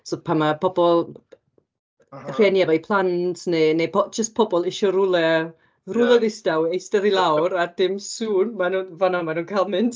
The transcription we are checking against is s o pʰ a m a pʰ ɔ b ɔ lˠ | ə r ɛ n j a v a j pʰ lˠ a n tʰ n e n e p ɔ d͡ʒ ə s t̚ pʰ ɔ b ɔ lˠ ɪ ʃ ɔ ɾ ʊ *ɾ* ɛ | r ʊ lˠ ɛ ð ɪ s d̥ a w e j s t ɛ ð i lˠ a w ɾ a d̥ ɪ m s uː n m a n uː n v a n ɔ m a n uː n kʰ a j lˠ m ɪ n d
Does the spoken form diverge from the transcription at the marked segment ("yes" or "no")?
yes